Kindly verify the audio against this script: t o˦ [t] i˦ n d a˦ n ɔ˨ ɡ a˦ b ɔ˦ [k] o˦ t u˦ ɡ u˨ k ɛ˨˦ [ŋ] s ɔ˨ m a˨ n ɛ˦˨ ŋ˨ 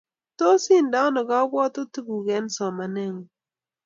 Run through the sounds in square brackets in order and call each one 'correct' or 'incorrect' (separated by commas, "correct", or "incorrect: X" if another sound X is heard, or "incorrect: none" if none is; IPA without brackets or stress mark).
incorrect: s, incorrect: t, incorrect: n